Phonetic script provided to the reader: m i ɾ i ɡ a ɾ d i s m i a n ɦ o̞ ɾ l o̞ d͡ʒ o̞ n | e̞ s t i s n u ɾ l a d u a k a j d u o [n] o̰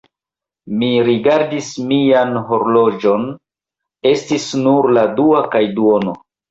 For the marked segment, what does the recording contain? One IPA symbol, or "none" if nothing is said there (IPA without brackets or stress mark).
n